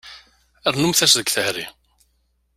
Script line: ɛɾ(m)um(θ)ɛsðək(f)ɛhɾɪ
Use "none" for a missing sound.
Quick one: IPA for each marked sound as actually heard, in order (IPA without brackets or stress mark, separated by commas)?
n, θ, θ